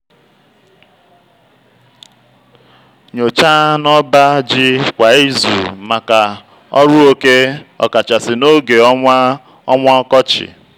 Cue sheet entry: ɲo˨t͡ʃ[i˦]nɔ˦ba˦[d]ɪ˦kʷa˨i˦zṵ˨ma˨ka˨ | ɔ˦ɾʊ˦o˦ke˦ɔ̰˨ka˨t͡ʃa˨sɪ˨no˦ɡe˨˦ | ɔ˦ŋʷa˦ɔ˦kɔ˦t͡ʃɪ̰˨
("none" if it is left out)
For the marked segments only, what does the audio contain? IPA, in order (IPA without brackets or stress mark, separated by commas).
a˦, d͡ʒ